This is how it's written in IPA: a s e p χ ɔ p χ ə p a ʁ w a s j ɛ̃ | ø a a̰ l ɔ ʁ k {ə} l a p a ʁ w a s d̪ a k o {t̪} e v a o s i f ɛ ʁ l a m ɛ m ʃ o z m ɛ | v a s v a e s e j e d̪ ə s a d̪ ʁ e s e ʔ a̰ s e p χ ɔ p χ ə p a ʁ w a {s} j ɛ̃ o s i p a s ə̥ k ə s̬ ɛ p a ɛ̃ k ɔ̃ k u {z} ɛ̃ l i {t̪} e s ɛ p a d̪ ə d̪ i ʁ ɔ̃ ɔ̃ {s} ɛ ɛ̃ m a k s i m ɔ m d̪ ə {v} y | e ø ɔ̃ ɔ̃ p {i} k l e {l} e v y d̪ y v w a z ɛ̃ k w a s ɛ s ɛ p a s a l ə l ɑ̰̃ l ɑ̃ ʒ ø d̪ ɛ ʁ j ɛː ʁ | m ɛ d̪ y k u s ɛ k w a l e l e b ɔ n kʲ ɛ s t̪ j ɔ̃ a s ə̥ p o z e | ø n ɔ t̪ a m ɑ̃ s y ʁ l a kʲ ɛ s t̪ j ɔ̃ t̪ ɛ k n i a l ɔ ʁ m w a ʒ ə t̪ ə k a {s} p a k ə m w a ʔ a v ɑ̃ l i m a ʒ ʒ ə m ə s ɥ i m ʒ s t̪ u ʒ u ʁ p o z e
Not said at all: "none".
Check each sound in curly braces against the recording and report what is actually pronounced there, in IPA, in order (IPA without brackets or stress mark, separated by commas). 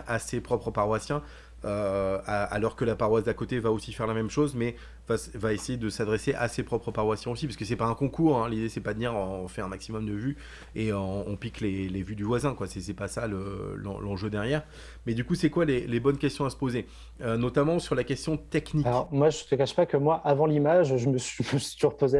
ə, t̪, s, ʁ, d̪, f, v, i, l, ʃ